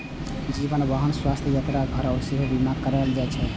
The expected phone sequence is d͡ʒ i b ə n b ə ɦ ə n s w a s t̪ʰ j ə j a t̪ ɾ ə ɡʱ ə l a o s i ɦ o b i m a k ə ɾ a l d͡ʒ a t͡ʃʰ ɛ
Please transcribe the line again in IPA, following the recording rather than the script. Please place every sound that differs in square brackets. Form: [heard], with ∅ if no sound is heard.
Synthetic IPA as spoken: d͡ʒ i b ə n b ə ɦ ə n s w a s t̪ʰ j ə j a t̪ ɾ [a] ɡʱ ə [ɾ] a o s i ɦ o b i m a k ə ɾ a l d͡ʒ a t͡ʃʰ ɛ